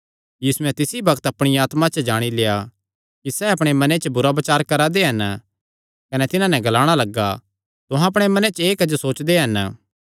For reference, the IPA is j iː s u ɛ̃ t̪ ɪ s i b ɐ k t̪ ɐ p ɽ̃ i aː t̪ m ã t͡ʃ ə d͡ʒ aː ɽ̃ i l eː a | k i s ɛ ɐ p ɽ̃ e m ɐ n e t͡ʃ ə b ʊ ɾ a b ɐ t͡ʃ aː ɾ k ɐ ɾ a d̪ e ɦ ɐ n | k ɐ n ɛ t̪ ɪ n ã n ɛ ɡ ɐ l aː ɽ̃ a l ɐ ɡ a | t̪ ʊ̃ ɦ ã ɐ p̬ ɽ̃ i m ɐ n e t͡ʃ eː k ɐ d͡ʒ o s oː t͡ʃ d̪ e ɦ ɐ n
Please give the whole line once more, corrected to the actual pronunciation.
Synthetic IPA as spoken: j iː s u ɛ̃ t̪ ɪ s i b ɐ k t̪ ɐ p ɽ̃ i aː t̪ m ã t͡ʃ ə d͡ʒ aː ɽ̃ i l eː a | k i s ɛ ɐ p ɽ̃ e m ɐ n e t͡ʃ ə b ʊ ɾ a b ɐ t͡ʃ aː ɾ k ɐ ɾ a d̪ e ɦ ɐ n | k ɐ n ɛ t̪ ɪ n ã n ɛ ɡ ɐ l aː ɽ̃ a l ɐ ɡ a | t̪ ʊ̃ ɦ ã ɐ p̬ ɽ̃ e m ɐ n e t͡ʃ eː k ɐ d͡ʒ o s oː t͡ʃ d̪ e ɦ ɐ n